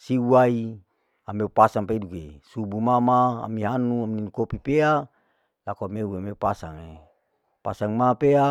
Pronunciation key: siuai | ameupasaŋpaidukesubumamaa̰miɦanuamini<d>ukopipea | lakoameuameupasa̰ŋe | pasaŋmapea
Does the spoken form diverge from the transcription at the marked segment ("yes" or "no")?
yes